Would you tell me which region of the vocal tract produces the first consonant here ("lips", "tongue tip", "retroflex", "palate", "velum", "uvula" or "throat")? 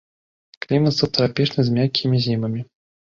velum